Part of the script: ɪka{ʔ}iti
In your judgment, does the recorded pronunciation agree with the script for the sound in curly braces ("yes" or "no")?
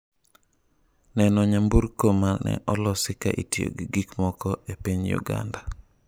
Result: yes